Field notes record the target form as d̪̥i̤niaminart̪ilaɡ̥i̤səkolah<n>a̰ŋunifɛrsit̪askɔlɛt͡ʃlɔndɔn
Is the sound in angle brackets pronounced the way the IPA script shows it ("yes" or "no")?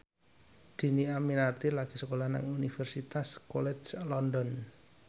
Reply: yes